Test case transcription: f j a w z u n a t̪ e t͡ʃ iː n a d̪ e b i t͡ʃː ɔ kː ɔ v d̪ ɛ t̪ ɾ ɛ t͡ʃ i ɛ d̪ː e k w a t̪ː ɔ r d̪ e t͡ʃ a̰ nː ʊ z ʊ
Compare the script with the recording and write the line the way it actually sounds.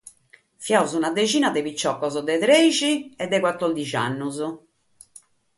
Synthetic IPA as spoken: f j a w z u n a d̪ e t͡ʃ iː n a d̪ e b i t͡ʃː ɔ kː ɔ z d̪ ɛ t̪ ɾ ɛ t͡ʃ i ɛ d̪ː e k w a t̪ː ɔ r d̪ i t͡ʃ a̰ nː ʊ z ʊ